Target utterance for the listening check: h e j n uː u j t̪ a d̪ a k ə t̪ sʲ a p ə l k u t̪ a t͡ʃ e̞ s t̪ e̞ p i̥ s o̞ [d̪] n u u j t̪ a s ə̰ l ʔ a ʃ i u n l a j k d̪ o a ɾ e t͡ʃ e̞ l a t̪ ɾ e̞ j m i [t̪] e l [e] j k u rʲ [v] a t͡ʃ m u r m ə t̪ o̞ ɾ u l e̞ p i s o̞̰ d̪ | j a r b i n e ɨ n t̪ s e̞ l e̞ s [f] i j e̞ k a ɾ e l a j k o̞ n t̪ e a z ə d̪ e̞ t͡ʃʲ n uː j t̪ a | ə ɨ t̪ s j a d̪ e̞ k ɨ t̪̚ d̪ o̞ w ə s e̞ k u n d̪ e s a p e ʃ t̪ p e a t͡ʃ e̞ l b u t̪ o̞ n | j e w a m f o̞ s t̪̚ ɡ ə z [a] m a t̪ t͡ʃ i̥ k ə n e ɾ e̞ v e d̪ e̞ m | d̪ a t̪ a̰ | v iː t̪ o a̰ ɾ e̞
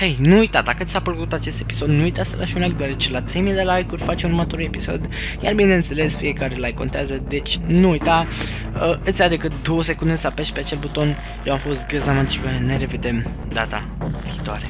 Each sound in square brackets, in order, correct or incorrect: correct, incorrect, incorrect, incorrect, correct, correct

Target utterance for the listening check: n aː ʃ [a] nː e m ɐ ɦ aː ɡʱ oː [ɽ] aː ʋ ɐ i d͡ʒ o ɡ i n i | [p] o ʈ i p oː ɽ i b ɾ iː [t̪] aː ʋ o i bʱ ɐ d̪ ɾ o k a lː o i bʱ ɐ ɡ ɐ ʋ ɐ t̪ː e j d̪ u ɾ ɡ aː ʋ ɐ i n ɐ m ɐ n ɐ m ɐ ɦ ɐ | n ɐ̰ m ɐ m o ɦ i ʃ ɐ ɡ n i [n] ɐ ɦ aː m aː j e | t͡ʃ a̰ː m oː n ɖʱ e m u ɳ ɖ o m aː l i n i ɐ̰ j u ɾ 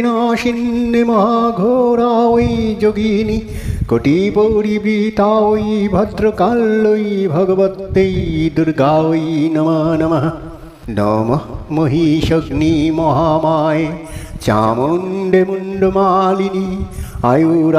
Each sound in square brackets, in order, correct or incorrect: incorrect, incorrect, incorrect, correct, incorrect

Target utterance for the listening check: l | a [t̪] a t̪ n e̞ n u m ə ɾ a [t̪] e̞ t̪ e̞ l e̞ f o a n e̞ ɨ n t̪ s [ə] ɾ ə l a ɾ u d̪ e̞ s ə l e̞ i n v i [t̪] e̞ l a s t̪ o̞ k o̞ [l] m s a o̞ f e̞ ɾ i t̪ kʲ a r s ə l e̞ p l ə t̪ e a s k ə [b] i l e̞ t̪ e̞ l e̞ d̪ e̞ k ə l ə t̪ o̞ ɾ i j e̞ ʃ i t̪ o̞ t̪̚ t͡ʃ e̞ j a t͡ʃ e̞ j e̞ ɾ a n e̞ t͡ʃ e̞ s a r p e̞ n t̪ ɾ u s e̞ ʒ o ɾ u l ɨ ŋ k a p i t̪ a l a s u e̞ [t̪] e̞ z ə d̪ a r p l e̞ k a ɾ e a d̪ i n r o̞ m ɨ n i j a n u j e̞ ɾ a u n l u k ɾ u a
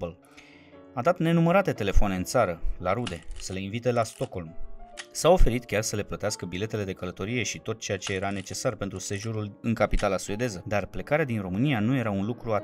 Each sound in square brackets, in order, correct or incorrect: incorrect, correct, incorrect, correct, correct, correct, incorrect

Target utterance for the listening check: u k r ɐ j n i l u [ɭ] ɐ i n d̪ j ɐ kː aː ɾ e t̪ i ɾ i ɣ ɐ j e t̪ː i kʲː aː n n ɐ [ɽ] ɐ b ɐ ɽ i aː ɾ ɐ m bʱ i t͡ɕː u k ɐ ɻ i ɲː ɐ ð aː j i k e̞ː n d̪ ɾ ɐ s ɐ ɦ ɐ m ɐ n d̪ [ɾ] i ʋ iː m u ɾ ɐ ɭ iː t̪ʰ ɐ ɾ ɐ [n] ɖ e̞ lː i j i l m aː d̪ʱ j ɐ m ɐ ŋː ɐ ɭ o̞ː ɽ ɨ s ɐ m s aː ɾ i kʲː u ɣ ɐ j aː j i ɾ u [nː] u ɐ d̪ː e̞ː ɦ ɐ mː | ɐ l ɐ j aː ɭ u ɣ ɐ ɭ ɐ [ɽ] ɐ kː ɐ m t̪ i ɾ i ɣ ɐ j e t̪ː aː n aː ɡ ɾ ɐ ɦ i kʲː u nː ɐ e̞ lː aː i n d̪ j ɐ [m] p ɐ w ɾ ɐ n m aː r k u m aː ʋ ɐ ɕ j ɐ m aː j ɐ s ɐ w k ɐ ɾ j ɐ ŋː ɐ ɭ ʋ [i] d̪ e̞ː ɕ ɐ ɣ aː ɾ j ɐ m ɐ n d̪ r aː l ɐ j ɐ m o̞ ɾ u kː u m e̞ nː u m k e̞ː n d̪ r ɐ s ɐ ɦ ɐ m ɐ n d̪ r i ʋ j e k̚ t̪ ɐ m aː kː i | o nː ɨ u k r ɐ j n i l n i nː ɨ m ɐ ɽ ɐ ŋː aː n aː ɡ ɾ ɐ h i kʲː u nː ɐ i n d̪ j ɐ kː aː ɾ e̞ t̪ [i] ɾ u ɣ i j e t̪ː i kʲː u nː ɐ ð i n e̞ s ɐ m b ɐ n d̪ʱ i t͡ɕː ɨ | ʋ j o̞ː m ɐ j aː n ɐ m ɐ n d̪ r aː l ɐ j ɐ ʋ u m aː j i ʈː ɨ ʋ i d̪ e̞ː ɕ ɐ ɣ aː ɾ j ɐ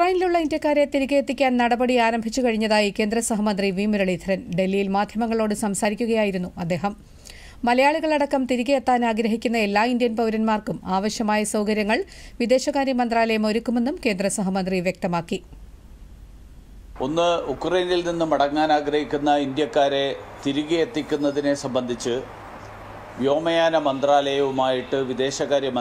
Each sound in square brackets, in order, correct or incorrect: incorrect, correct, incorrect, correct, correct, correct, incorrect, correct, correct

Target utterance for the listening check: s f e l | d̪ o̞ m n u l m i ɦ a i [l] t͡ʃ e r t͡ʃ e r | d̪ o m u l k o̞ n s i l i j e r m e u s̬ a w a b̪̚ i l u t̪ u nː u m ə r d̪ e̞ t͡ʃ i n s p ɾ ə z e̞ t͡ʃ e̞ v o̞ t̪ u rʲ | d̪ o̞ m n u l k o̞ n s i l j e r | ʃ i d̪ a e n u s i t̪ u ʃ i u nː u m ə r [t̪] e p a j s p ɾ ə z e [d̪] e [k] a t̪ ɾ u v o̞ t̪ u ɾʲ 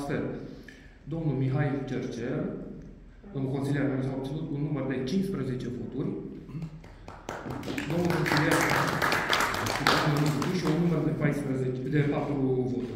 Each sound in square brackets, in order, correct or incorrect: correct, incorrect, correct, incorrect

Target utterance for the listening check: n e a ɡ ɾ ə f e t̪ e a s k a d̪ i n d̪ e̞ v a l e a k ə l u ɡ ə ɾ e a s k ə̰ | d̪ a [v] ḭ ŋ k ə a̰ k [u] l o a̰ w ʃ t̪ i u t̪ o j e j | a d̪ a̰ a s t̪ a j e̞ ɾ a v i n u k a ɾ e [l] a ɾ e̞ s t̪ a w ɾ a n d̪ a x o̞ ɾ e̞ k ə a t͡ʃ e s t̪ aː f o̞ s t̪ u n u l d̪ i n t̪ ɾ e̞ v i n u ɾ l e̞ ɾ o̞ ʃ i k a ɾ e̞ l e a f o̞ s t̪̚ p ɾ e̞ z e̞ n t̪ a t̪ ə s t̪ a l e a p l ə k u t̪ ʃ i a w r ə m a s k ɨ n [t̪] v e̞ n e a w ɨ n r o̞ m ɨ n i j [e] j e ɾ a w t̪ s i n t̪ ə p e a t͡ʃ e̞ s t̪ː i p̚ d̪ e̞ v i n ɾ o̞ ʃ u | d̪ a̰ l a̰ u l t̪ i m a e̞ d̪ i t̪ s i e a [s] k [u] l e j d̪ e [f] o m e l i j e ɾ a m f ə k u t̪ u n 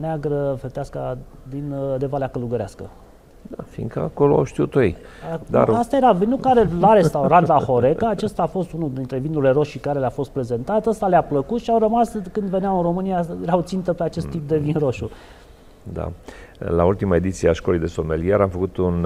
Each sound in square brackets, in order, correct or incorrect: incorrect, incorrect, correct, incorrect, incorrect, incorrect, incorrect, incorrect

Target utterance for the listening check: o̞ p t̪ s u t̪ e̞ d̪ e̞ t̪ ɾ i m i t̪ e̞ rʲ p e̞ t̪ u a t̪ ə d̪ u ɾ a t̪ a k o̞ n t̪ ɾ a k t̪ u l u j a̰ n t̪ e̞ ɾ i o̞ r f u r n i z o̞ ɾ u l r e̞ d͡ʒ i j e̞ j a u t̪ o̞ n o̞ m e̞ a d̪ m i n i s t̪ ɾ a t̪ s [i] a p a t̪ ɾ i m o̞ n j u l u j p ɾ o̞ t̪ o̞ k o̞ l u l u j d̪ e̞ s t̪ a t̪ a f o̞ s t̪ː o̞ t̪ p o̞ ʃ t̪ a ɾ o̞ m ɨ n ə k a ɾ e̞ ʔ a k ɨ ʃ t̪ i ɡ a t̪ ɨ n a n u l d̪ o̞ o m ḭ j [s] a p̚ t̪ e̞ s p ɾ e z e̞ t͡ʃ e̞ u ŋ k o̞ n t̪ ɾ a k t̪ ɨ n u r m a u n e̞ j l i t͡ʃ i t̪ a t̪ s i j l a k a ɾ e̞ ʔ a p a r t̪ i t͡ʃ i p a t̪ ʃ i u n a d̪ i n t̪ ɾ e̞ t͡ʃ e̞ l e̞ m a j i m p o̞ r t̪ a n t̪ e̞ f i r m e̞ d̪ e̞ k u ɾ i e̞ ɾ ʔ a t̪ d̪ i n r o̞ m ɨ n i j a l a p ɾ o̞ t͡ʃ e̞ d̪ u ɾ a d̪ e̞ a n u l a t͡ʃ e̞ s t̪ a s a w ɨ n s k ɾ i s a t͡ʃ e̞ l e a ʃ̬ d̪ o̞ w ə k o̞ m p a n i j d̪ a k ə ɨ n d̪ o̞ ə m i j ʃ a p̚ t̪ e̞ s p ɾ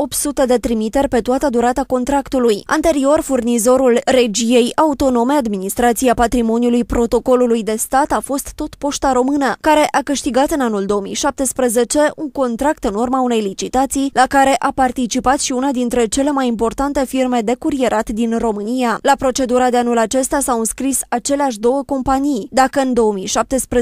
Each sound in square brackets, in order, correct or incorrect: correct, incorrect

